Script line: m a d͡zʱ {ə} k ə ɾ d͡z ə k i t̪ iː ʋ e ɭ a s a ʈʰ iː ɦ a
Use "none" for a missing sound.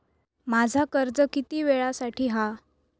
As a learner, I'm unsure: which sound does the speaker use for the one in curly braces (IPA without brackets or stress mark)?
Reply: a